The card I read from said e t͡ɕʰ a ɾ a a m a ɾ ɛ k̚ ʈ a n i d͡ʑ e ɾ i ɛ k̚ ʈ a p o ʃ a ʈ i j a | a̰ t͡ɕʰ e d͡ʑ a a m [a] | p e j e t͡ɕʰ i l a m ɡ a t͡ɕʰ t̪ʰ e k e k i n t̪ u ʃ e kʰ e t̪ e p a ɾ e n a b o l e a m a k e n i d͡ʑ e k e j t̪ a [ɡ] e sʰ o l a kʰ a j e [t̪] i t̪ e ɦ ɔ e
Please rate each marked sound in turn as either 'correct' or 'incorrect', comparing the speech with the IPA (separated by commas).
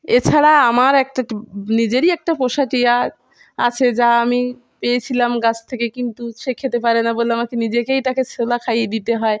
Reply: incorrect, incorrect, incorrect